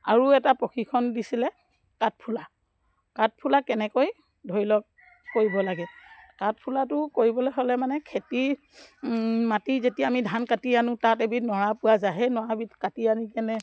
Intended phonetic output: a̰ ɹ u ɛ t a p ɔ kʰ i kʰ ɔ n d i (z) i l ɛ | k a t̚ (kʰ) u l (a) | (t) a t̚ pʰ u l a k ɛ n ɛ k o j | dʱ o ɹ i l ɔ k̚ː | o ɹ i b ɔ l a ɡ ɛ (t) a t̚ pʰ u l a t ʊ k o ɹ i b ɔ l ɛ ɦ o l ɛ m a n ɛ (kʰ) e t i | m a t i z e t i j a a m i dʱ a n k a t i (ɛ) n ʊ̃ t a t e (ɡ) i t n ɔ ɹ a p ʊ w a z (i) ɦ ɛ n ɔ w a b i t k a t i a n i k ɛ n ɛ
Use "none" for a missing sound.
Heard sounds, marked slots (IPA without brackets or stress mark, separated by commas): s, pʰ, a, k, k, kʰ, a, b, a